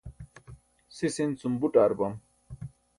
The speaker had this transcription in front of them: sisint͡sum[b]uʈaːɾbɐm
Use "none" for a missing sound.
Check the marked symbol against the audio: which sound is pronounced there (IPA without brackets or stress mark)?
b